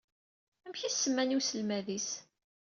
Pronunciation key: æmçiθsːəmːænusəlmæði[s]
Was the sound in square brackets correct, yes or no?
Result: yes